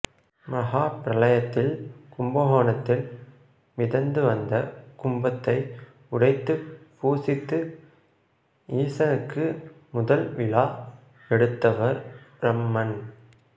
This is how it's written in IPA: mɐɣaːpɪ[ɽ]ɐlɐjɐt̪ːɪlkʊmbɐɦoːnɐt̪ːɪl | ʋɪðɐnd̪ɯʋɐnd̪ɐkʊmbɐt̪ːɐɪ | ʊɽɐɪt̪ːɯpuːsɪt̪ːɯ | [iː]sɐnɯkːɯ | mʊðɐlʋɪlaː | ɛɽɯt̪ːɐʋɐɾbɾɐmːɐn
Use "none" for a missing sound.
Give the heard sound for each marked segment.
ɾ, iː

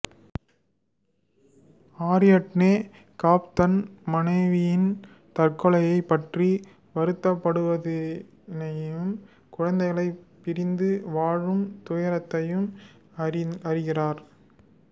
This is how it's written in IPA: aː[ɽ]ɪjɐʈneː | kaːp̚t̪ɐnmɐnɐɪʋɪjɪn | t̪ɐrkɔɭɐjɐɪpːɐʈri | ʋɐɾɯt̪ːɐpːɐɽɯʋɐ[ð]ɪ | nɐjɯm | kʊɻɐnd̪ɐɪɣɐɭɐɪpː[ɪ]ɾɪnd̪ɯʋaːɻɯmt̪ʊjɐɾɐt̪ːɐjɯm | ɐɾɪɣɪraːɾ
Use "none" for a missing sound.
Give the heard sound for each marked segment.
ɾ, ð, ɪ

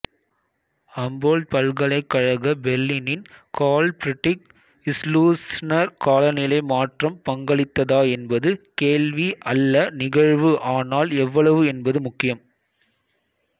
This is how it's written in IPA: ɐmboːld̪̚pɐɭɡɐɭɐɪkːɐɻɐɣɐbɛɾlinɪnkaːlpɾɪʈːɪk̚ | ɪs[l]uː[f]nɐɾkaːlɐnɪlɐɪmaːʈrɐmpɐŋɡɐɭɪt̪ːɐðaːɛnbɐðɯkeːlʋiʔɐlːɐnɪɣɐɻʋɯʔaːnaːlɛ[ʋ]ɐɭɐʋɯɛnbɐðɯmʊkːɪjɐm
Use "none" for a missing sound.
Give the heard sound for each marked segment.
l, s, ʋː

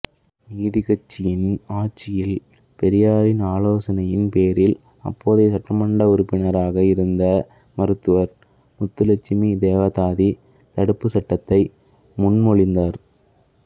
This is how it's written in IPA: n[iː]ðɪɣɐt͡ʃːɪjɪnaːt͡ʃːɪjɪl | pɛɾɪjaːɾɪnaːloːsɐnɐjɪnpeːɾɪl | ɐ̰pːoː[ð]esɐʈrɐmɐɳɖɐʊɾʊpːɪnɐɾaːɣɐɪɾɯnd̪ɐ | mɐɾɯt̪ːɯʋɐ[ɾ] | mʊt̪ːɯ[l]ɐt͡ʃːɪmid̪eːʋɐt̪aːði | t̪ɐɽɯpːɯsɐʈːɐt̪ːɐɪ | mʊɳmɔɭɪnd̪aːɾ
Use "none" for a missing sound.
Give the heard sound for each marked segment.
iː, ð, ɾ, l

